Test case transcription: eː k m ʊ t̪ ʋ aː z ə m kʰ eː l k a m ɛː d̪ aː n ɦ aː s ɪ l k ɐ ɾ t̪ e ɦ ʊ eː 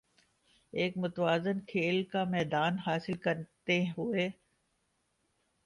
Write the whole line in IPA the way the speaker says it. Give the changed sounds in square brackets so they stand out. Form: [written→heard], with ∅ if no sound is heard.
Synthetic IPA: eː k m ʊ t̪ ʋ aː z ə [m→n] kʰ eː l k a m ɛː d̪ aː n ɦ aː s ɪ l k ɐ ɾ t̪ e ɦ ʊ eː